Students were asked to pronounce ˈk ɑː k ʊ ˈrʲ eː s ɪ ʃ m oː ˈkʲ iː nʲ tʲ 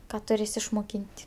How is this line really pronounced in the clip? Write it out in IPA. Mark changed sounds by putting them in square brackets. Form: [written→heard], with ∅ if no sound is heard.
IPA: ˈk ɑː [k→t] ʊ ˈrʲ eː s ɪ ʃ m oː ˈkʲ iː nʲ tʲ